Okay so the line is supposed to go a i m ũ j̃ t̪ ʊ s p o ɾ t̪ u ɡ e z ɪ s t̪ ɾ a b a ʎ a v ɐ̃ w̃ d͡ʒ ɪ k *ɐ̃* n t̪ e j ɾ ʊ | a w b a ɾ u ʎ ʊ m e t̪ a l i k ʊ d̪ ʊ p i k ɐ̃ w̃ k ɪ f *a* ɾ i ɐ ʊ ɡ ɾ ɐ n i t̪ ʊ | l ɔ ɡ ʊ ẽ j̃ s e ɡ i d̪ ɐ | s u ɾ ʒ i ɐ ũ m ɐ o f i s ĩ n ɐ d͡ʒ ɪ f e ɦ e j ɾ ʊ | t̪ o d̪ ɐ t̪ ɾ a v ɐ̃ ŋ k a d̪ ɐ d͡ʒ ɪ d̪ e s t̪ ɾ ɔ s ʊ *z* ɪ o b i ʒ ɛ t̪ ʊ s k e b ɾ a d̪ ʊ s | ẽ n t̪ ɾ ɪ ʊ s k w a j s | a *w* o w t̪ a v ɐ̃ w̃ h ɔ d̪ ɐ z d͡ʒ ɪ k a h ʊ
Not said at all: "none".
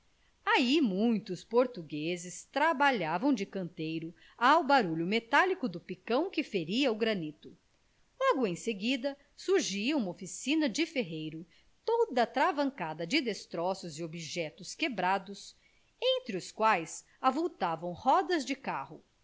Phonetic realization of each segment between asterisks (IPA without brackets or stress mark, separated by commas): ɐ̃, e, z, v